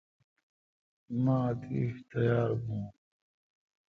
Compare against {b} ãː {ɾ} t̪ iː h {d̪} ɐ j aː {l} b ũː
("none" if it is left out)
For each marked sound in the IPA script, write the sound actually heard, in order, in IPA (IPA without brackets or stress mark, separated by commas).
m, none, t̪, ɾ